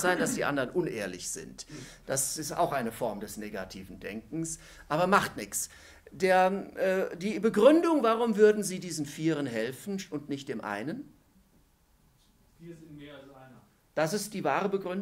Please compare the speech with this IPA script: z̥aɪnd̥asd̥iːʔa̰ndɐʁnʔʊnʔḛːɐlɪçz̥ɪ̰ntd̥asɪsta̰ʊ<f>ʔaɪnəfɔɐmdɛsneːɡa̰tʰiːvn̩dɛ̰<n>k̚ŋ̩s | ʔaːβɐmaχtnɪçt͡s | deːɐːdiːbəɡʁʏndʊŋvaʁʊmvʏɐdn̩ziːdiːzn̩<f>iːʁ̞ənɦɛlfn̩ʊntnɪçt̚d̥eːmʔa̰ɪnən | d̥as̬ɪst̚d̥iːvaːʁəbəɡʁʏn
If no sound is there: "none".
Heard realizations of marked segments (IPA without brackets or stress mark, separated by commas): x, ŋ, f